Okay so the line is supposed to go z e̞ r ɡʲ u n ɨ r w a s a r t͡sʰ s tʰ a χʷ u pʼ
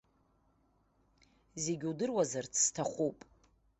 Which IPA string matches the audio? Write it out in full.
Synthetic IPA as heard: z e̞ ɡʲ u d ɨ r w a z a r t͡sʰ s tʰ a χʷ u pʼ